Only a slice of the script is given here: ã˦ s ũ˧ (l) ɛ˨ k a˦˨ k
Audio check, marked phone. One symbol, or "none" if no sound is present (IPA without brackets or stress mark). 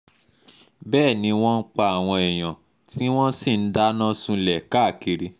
l